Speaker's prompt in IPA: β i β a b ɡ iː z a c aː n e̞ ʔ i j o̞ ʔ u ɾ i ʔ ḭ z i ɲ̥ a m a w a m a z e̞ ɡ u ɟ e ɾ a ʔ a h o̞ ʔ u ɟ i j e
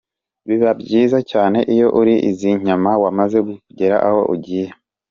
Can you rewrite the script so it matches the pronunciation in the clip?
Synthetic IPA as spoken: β i β a b ɟ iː z a c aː n e̞ ʔ i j o̞ ʔ u ɾ i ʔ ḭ z i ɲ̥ a m a w a m a z e̞ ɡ u ɟ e ɾ a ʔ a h o̞ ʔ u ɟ i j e